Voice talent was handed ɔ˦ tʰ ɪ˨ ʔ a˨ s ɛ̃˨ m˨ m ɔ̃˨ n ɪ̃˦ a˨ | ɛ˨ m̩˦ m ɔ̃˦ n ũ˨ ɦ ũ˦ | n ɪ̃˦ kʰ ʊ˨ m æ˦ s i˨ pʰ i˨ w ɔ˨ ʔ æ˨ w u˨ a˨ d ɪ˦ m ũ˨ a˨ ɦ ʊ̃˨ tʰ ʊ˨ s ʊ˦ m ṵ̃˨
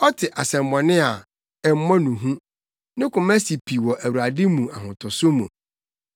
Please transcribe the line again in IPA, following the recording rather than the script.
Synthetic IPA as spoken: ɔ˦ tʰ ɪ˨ ʔ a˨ s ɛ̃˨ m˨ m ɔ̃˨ n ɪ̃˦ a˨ | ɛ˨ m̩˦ m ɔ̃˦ n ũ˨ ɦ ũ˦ | n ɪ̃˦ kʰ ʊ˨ m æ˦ s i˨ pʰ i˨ w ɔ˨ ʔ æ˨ w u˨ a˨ d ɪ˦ m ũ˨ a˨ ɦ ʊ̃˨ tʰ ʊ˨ s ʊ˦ m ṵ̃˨

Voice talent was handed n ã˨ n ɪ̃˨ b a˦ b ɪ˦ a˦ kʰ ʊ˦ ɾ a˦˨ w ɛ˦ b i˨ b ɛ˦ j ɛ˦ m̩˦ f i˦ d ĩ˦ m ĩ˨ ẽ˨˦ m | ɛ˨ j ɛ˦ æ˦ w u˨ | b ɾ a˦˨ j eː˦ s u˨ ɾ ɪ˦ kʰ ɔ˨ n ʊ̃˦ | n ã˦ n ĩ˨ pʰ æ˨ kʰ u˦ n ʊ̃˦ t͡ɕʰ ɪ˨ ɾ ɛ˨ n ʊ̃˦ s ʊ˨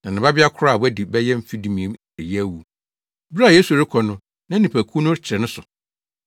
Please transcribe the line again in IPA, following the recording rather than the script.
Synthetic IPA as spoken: n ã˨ n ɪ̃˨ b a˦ b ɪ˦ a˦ kʰ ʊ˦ ɾ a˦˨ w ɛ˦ d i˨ b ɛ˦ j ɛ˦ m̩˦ f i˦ d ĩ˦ m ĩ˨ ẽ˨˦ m | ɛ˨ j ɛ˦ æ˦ w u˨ | b ɾ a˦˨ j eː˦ s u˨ ɾ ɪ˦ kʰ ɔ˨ n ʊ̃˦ | n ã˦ n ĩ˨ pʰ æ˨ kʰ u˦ n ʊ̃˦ t͡ɕʰ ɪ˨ ɾ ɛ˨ n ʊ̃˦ s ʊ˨

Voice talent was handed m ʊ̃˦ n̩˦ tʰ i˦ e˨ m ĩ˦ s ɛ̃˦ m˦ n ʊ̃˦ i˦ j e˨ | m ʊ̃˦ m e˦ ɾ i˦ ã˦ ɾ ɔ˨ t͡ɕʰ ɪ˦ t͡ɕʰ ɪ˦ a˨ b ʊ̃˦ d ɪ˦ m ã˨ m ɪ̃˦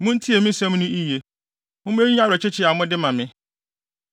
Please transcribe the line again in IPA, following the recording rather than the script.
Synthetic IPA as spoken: m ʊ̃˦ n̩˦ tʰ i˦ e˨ m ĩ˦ s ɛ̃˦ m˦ n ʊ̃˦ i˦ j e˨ | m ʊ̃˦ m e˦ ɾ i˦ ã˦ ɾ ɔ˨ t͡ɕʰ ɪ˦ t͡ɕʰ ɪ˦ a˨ m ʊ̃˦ d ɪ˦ m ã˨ m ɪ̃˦

